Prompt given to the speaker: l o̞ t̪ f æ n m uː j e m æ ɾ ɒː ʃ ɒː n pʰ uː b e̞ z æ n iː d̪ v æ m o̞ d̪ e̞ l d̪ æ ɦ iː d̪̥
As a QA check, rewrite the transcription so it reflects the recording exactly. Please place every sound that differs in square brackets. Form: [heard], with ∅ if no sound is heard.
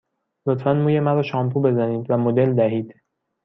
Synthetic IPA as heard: l o̞ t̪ f æ n m uː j e m æ ɾ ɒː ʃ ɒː [m] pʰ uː b e̞ z æ n iː d̪ v æ m o̞ d̪ e̞ l d̪ æ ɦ iː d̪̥